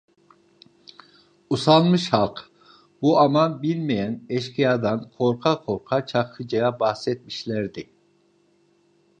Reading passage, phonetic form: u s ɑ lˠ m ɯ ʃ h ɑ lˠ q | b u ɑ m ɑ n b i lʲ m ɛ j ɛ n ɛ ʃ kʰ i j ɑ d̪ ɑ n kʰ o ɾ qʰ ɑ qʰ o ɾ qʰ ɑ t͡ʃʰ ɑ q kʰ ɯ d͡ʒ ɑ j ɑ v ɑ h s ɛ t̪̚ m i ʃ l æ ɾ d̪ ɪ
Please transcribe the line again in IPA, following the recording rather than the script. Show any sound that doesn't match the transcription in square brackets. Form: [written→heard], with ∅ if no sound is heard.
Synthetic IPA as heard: u s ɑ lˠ m ɯ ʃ h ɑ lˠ q | b u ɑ m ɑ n b i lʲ m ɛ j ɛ n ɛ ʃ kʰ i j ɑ d̪ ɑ n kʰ o ɾ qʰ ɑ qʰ o ɾ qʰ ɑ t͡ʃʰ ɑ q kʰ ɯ d͡ʒ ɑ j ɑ [v→b] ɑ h s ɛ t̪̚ m i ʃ l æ ɾ d̪ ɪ